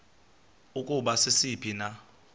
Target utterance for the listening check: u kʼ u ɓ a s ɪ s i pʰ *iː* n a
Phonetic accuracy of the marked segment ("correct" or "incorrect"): incorrect